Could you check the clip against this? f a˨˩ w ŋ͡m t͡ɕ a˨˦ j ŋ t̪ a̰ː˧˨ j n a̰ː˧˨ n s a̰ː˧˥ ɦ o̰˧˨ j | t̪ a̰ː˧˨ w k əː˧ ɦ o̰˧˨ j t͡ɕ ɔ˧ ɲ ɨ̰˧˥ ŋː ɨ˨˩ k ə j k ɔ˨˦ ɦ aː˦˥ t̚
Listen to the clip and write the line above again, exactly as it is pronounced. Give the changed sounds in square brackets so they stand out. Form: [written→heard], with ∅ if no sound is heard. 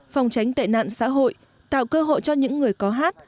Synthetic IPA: f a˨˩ w ŋ͡m t͡ɕ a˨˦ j ŋ t̪ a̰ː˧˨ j n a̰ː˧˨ n s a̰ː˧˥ ɦ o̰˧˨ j | t̪ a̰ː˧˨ w k əː˧ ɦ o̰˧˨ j t͡ɕ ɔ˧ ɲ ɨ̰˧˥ ŋː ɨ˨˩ [k→∅] ə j k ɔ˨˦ ɦ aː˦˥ t̚